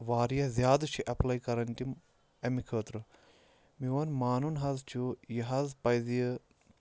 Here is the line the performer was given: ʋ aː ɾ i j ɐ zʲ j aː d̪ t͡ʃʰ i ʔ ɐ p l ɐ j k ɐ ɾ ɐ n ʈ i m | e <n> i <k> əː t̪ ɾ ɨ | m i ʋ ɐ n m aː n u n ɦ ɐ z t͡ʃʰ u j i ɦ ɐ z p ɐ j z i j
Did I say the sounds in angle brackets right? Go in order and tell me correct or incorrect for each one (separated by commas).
incorrect, incorrect